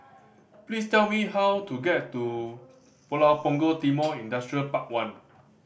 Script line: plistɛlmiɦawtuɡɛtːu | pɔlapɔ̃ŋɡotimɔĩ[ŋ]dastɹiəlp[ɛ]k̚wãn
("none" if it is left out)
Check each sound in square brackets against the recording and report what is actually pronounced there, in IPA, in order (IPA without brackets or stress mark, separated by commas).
n, a